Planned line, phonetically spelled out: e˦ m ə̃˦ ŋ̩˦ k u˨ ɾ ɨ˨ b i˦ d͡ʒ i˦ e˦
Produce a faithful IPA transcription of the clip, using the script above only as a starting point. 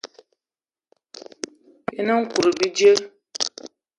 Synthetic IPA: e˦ n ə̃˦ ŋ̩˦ k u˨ ɾ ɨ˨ b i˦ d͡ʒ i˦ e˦